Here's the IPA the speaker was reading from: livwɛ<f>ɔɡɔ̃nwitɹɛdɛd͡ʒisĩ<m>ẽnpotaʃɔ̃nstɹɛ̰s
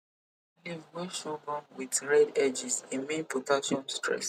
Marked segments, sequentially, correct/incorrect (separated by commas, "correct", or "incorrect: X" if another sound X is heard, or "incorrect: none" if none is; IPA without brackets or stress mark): incorrect: ʃ, correct